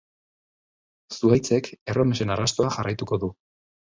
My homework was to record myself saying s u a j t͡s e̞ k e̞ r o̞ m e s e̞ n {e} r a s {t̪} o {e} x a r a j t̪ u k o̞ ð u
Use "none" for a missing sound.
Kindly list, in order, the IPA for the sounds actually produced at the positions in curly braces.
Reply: a, t̪, a

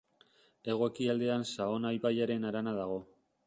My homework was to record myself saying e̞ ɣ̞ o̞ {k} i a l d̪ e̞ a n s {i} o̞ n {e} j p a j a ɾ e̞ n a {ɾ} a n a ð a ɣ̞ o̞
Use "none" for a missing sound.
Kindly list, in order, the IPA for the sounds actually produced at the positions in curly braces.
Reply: k, a, a, ɾ

